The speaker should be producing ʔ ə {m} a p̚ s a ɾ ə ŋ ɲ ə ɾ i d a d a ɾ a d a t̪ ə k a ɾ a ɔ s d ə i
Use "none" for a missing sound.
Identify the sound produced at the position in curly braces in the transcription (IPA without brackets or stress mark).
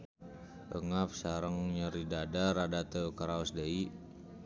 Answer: ŋ